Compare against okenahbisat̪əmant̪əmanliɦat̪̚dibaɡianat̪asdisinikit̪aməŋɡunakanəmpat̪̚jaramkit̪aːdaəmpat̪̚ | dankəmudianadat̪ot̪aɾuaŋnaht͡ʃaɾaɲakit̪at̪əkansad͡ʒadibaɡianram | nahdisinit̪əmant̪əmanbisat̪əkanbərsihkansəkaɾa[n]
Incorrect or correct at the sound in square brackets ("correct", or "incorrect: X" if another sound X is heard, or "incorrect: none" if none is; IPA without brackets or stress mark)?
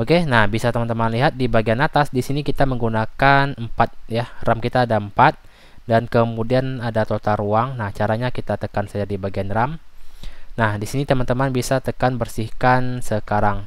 incorrect: ŋ